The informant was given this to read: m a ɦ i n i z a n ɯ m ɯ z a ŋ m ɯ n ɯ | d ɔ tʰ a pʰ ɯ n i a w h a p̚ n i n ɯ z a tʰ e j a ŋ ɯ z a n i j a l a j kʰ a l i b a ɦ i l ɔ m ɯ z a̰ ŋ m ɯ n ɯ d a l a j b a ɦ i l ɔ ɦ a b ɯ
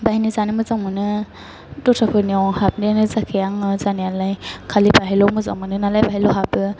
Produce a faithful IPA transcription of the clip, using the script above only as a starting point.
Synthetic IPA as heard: b a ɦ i n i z a n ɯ m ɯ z a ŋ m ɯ n ɯ | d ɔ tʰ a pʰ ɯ n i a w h a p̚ n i n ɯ z a kʰ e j a ŋ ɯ z a n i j a l a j kʰ a l i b a ɦ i l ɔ m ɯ z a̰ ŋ m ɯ n ɯ n a l a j b a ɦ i l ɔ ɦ a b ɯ